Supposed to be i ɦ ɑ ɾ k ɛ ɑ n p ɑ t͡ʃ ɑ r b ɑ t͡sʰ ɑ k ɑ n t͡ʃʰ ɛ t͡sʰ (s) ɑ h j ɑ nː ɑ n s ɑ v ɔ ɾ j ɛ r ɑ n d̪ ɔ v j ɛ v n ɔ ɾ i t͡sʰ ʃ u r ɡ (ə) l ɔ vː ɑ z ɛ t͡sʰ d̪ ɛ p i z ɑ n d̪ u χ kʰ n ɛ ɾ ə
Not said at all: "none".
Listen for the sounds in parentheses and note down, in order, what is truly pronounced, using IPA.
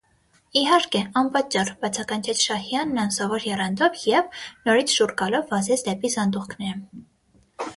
ʃ, ɑ

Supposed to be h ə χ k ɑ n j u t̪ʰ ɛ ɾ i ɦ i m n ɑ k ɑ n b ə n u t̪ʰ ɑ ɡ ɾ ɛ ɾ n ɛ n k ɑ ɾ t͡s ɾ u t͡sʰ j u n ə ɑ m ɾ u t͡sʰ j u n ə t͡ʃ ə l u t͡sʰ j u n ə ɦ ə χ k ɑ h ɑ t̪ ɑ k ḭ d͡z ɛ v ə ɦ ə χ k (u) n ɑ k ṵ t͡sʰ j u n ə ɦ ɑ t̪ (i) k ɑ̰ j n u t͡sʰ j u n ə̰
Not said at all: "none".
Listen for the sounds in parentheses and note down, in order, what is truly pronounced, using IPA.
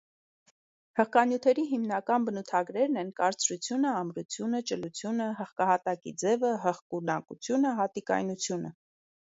u, i

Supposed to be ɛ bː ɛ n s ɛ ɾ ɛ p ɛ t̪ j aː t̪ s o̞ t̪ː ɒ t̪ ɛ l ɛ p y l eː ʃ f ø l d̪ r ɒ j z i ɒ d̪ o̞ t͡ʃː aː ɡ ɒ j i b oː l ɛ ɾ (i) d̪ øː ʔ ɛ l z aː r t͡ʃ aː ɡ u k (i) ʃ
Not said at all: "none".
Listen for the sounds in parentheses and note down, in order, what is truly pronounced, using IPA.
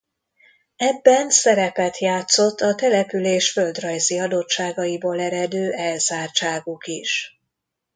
ɛ, i

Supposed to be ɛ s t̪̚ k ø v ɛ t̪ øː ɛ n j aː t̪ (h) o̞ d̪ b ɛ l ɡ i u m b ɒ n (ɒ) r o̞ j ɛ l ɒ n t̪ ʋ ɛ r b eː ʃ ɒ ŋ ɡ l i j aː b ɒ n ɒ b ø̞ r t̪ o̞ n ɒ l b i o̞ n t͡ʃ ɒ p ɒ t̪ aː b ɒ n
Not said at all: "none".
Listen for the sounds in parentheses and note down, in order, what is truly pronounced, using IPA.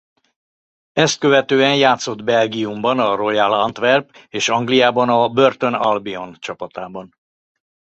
s, ɒ

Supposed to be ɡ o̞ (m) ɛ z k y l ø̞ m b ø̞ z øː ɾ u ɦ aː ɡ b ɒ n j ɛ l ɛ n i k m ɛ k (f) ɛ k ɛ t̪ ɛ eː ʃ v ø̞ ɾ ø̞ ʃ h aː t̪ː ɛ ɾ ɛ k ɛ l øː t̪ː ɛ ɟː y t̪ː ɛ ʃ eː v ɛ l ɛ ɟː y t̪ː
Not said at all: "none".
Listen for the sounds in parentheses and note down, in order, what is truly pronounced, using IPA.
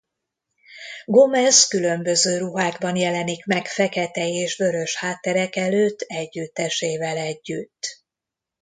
m, f

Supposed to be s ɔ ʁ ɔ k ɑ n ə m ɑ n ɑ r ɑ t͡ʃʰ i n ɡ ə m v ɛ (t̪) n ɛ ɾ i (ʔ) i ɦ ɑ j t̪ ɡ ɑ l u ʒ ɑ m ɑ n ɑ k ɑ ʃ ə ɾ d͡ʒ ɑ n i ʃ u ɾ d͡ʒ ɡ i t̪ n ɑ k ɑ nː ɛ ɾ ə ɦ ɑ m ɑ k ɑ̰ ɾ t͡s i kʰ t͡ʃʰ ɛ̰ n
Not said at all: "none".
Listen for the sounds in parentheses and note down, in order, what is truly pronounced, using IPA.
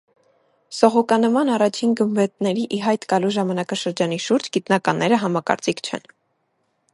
t̪, ʔ

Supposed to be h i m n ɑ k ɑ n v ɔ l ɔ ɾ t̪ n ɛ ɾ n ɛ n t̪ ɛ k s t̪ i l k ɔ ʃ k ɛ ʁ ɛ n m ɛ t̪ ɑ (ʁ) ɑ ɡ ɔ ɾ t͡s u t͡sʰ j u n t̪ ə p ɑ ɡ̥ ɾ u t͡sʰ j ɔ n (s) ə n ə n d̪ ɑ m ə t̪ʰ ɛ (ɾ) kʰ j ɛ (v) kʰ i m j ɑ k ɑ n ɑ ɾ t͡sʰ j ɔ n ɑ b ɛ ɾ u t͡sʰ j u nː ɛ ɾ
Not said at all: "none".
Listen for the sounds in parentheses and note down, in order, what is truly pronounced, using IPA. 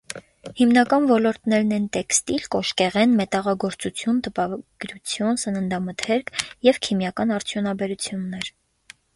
ʁ, s, ɾ, v

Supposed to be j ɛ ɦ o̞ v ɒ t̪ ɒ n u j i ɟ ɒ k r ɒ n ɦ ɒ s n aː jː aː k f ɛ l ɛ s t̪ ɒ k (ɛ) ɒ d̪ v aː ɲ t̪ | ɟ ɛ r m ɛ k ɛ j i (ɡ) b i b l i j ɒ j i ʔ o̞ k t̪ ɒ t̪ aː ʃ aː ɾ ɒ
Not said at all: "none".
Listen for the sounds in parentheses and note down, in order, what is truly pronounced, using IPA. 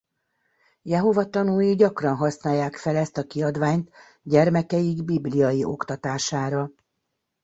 i, ɡ

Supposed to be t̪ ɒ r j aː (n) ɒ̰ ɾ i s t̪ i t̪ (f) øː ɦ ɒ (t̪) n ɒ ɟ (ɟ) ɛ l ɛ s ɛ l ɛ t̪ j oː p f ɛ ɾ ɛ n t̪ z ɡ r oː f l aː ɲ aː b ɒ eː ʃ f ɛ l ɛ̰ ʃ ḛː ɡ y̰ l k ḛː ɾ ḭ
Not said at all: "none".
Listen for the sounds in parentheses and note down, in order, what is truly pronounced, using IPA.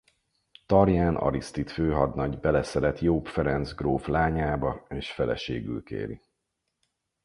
n, f, d̪, b

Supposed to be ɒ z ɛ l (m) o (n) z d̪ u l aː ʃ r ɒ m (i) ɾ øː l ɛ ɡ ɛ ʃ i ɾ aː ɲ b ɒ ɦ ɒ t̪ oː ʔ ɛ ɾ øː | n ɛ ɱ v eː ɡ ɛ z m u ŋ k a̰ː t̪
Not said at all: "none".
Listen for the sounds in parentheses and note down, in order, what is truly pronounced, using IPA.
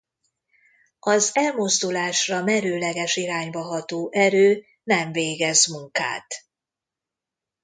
m, none, ɛ

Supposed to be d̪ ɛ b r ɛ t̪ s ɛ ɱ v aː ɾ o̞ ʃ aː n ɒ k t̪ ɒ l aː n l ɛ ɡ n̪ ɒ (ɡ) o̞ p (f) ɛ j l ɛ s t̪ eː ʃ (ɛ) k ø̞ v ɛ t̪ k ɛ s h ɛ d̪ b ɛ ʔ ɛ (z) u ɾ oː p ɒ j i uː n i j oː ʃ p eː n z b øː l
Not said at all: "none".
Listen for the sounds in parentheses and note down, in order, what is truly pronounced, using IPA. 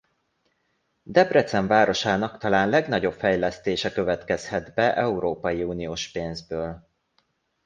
ɟ, f, ɛ, none

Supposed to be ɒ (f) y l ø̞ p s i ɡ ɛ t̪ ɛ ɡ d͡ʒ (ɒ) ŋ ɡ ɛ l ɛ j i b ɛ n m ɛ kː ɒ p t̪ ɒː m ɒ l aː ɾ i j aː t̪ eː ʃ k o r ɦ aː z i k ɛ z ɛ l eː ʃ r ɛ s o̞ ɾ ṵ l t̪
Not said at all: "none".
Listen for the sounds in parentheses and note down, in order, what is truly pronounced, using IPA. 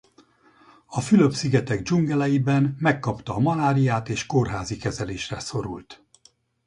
f, u

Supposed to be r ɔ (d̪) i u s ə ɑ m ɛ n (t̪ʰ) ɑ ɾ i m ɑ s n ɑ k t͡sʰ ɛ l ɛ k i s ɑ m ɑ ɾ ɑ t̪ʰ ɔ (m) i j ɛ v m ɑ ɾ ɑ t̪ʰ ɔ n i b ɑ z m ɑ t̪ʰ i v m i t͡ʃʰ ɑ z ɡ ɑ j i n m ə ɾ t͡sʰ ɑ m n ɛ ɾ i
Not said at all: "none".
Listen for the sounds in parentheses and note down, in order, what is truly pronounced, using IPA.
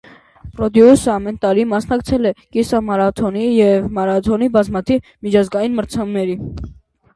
d̪, t̪, n

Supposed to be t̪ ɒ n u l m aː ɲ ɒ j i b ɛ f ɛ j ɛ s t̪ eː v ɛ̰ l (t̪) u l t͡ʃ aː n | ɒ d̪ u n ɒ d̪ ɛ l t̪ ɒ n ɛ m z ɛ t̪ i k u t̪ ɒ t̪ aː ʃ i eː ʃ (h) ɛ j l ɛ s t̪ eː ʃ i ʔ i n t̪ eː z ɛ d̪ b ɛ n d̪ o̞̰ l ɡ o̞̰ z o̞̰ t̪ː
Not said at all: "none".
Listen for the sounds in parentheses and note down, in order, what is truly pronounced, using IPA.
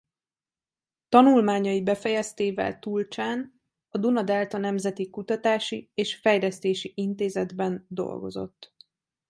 t̪, f

